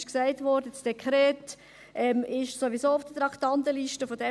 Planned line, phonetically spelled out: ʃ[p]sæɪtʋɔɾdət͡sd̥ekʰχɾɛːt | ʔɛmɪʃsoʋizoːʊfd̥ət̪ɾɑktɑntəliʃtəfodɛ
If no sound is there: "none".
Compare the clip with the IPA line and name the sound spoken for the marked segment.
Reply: k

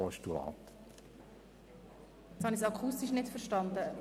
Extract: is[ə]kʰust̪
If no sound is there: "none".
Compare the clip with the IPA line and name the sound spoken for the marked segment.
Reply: ɑ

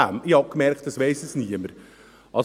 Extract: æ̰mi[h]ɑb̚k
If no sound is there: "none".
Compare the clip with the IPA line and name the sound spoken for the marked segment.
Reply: h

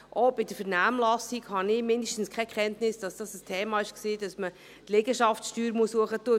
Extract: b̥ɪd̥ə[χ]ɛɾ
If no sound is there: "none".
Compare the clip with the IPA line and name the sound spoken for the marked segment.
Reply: f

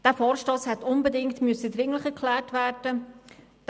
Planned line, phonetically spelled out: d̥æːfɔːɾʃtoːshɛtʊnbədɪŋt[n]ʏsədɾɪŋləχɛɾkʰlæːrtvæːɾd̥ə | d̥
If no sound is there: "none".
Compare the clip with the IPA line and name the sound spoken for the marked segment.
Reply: m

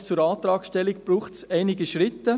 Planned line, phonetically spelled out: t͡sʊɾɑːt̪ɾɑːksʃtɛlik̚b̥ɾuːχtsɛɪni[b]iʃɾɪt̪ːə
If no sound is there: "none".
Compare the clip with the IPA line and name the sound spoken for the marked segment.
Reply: ɡ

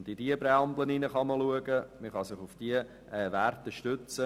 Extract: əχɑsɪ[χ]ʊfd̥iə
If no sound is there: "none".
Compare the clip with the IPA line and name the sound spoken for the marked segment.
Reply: χ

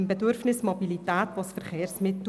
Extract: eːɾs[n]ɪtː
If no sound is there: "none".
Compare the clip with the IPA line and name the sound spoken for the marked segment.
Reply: m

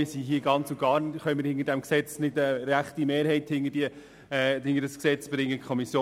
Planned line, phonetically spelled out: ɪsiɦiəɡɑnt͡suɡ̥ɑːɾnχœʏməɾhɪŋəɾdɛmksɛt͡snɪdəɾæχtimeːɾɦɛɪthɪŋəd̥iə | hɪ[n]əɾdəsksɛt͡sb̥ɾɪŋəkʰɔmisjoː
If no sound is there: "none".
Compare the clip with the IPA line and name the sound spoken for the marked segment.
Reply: ŋ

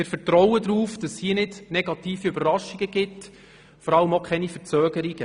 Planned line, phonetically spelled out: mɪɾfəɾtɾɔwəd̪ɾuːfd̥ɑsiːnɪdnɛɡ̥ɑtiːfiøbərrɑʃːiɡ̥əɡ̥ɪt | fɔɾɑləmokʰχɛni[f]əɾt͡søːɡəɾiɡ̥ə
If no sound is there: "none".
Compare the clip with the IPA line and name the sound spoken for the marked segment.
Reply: f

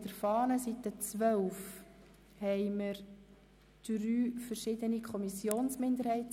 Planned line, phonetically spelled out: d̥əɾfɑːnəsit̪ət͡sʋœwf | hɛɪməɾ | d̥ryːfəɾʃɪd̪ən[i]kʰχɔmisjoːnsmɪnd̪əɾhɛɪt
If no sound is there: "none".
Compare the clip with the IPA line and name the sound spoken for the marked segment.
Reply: i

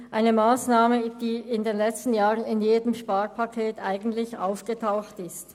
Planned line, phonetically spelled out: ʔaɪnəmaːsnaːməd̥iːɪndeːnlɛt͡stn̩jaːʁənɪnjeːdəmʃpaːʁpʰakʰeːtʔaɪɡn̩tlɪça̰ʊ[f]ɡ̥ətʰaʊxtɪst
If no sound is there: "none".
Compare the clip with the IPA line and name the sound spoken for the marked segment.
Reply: f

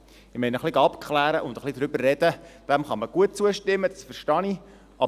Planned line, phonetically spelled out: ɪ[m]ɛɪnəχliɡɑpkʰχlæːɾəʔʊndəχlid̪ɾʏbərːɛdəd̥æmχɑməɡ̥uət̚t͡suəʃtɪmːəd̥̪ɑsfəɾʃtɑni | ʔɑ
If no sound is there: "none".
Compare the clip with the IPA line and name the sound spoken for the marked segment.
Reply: m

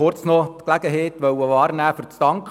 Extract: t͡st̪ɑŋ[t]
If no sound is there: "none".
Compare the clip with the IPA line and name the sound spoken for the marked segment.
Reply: k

